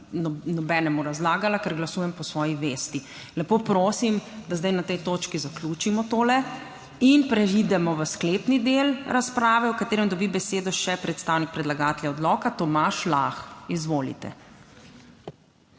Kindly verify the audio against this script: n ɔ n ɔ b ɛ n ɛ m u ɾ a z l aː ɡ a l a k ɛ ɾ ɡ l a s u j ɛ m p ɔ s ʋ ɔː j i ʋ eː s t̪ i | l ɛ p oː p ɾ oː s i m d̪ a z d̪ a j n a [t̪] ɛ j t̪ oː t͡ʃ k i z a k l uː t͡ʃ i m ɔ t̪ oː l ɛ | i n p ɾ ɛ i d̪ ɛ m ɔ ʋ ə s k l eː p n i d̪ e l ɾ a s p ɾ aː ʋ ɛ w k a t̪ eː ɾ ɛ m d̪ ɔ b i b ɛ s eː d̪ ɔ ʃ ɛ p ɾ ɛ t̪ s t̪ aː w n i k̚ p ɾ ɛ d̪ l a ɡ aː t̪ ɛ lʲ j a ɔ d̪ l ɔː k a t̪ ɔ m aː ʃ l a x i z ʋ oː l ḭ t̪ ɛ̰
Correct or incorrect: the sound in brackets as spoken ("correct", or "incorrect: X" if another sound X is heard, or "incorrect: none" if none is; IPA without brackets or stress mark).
correct